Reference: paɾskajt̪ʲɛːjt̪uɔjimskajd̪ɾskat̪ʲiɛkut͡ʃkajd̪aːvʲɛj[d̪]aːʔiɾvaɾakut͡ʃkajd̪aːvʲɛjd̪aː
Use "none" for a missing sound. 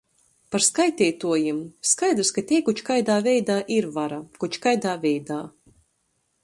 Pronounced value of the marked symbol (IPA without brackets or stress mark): d̪